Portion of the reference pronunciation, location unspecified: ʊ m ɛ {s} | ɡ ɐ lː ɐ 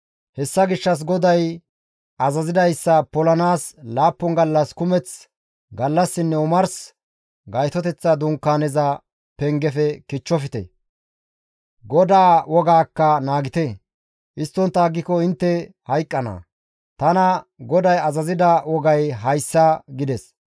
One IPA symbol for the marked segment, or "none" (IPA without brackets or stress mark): t͡s